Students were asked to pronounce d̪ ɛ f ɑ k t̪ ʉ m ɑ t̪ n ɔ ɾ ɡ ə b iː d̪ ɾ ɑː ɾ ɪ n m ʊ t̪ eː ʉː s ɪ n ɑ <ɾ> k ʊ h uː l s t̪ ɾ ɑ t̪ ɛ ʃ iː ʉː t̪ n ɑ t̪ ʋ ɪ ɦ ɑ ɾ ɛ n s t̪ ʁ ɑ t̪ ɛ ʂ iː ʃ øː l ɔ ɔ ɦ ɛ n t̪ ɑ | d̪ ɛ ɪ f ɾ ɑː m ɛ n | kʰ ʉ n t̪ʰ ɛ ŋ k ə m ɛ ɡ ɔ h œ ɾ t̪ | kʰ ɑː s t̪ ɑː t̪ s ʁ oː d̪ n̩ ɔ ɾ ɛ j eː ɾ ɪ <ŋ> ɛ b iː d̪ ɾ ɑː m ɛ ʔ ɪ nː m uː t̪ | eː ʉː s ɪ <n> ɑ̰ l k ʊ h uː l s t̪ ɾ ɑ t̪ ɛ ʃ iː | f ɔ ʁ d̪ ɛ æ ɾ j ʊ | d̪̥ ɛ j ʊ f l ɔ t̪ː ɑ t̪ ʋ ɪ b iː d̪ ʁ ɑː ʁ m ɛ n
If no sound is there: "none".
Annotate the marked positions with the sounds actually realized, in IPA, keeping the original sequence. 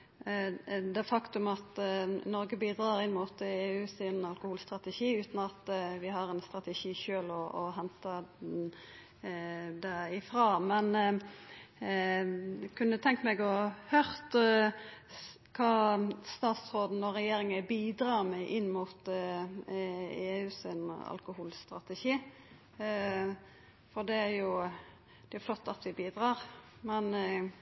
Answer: l, ŋ, n

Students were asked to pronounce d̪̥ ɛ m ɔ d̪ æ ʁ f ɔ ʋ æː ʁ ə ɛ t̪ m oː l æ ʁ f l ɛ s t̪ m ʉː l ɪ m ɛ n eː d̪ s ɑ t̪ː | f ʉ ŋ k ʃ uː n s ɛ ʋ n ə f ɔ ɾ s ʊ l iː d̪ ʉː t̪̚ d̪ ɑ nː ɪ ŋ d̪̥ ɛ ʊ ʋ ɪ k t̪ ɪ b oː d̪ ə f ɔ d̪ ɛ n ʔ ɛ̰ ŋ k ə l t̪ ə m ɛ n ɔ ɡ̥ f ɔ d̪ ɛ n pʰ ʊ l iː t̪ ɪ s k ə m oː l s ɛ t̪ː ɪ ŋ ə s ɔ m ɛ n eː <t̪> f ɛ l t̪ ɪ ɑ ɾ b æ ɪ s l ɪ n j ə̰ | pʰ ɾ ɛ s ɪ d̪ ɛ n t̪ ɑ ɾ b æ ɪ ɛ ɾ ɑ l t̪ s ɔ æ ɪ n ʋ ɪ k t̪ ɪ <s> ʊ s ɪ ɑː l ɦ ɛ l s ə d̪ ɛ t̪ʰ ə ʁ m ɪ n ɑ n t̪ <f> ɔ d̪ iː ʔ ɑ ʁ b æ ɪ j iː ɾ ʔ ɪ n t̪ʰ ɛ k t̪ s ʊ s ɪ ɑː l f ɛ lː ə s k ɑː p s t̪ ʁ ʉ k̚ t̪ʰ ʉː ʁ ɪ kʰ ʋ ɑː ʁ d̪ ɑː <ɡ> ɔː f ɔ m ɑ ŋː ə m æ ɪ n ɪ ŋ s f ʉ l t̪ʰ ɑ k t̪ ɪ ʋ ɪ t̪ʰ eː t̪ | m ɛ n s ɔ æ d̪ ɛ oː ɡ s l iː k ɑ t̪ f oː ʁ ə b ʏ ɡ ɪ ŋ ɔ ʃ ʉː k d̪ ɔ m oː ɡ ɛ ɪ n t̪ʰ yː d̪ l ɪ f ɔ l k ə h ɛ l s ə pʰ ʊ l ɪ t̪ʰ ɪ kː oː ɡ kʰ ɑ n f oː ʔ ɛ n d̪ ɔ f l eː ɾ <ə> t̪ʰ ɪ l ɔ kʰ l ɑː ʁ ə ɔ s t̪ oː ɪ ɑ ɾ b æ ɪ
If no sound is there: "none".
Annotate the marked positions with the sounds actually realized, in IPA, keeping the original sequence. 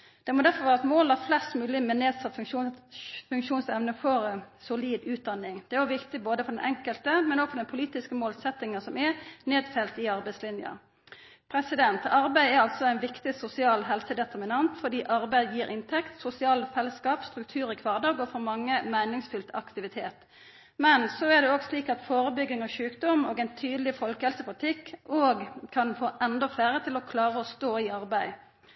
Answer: d̪, s, f, ɡ, ə

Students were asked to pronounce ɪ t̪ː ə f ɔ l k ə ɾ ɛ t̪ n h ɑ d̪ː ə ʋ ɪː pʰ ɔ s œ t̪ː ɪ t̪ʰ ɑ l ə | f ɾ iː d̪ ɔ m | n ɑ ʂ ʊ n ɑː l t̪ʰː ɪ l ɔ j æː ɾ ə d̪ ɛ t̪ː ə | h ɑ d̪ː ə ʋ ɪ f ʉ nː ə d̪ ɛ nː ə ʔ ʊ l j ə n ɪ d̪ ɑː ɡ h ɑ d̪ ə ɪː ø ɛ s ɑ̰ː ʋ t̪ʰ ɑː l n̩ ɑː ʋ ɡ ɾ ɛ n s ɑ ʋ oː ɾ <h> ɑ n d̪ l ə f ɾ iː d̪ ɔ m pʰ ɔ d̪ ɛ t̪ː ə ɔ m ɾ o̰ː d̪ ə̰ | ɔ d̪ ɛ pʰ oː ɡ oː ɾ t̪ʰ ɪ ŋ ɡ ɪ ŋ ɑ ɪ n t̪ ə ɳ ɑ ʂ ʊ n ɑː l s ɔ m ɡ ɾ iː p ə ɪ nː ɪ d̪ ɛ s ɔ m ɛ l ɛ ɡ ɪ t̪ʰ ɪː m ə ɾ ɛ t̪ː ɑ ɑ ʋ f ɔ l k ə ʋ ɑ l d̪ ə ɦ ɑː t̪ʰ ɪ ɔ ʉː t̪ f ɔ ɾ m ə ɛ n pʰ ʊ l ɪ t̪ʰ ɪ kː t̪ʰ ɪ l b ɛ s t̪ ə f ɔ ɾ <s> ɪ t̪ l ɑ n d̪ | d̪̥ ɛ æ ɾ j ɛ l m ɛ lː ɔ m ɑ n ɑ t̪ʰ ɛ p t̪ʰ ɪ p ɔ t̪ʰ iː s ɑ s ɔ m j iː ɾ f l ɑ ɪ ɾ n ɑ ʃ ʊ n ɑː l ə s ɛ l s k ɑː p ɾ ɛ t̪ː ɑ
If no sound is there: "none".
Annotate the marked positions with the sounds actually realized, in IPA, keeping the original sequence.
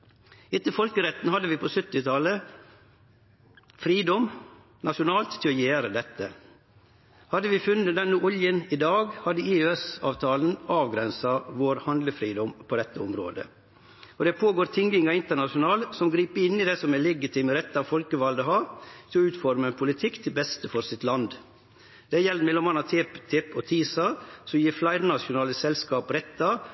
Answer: h, s

